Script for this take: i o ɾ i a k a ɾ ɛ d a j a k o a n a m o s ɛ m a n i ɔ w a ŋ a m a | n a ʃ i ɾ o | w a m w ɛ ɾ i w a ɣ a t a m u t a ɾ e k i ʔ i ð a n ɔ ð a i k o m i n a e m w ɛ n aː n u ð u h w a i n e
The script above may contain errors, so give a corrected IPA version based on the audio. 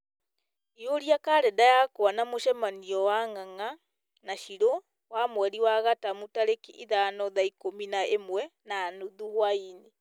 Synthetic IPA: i o ɾ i a k a ɾ ɛ d a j a k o a n a m o ʃ ɛ m a n i ɔ w a ŋ a ŋ a | n a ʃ i ɾ o | w a m w ɛ ɾ i w a ɣ a t a m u t a ɾ e k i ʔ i ð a n ɔ ð a i k o m i n a e m w ɛ n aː n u ð u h w a i n e

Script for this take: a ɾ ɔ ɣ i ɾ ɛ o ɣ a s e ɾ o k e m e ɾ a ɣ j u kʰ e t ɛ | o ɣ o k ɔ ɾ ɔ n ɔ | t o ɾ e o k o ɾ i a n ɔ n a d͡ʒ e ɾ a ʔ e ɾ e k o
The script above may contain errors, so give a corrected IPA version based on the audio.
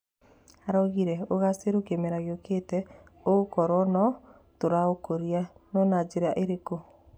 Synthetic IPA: a ɾ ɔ ɣ i ɾ ɛ o ɣ a s e ɾ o k e m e ɾ a ɣ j o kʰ e t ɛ | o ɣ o k ɔ ɾ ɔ n ɔ | t o ɾ a o k o ɾ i a n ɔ n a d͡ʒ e ɾ a ʔ e ɾ e k o

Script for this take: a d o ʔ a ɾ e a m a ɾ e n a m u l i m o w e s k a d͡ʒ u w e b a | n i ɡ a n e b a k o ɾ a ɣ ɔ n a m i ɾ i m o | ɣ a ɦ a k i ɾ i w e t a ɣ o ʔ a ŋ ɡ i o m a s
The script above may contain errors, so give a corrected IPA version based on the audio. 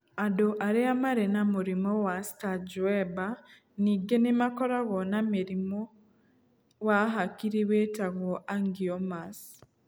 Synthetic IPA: a d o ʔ a ɾ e a m a ɾ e n a m u ɾ i m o w a s t a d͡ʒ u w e b a | n i ɡ e n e m a k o ɾ a ɣ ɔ n a m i ɾ i m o | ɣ a ɦ a k i ɾ i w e t a ɣ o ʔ a ŋ ɡ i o m a s

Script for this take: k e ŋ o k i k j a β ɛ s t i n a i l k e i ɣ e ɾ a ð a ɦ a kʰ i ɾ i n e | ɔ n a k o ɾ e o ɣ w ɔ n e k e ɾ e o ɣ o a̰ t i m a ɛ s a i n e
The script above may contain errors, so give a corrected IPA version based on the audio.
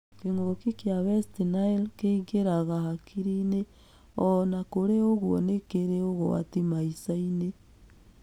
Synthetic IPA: k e ŋ o k i k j a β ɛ s t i n a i l k e i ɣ e ɾ a ɣ a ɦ a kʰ i ɾ i n e | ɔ n a k o ɾ e o ɣ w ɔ n e k e ɾ e o ɣ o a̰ t i m a i s a i n e

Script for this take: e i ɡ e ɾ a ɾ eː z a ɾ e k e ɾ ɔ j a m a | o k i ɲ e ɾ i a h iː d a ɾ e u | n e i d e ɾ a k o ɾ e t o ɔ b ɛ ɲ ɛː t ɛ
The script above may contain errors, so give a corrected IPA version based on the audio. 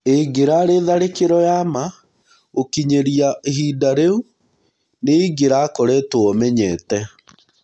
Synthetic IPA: e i ɡ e ɾ a ɾ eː ð a ɾ e k e ɾ ɔ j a m a | o k i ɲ e ɾ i a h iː d a ɾ e u | n e i ɡ e ɾ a k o ɾ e t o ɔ m ɛ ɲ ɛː t ɛ

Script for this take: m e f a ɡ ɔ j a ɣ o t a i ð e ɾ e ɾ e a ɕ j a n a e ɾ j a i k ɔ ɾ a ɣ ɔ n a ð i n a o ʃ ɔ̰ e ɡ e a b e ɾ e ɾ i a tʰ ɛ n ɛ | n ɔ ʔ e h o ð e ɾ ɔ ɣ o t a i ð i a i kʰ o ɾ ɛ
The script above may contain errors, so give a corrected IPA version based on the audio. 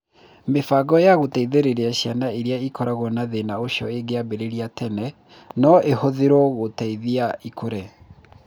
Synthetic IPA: m e f a ɡ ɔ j a ɣ o t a i ð e ɾ e ɾ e a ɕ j a n a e ɾ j a i k ɔ ɾ a ɣ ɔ n a ð e n a o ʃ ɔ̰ e ɡ e a b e ɾ e ɾ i a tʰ ɛ n ɛ | n ɔ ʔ e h o ð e ɾ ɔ ɣ o t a i ð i a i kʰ o ɾ ɛ

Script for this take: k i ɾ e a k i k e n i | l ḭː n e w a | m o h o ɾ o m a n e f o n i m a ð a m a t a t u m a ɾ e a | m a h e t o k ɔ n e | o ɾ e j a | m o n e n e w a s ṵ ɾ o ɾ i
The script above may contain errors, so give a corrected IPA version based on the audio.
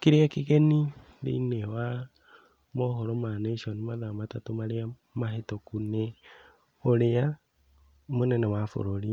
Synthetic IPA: k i ɾ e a k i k e n i | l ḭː n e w a | m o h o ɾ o m a n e ʃ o n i m a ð a m a t a t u m a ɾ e a | m a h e t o k u n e | o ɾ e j a | m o n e n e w a f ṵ ɾ o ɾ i

